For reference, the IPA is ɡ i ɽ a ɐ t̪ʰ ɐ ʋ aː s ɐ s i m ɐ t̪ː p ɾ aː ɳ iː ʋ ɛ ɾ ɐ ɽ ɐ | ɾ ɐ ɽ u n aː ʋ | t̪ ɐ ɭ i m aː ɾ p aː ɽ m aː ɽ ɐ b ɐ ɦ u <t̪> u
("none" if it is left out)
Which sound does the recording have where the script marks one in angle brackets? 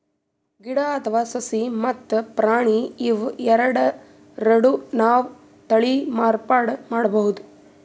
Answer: d̪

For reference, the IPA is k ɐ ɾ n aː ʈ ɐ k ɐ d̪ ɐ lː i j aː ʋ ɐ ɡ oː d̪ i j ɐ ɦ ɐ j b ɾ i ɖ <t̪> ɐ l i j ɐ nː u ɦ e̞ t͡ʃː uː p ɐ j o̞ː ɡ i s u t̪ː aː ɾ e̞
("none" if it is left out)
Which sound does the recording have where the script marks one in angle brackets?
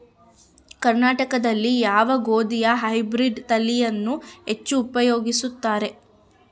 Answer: t̪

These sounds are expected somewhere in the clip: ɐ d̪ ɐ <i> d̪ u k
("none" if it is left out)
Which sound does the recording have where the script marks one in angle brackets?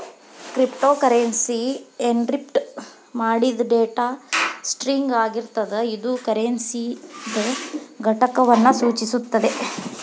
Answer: i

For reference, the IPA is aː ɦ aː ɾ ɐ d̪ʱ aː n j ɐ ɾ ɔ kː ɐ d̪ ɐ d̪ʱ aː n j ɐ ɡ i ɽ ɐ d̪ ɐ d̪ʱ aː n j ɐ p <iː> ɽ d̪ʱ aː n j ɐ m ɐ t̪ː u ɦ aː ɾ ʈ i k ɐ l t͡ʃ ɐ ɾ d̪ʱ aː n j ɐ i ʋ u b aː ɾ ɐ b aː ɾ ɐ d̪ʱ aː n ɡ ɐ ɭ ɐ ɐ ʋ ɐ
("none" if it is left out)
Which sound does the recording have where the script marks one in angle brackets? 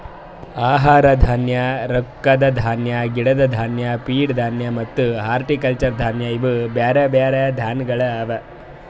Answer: iː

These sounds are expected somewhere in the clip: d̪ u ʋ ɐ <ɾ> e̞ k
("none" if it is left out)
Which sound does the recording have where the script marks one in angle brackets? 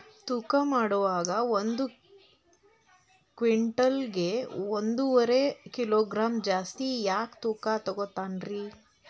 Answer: ɾ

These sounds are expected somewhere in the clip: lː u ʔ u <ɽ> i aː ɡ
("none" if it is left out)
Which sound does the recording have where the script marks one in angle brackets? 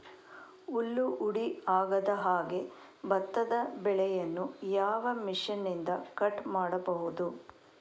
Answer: ɽ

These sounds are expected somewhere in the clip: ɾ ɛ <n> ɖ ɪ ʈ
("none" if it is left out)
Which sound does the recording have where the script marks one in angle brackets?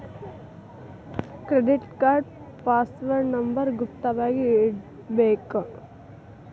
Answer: none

